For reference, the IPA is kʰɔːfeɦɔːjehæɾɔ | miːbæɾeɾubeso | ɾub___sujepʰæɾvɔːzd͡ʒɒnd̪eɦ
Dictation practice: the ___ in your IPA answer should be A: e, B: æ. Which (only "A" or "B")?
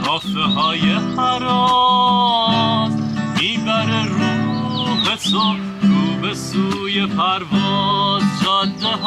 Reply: A